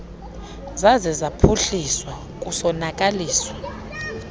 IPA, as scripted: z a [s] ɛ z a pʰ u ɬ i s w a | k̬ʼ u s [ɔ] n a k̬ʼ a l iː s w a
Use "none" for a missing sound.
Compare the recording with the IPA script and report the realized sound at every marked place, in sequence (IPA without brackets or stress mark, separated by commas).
z, ɔ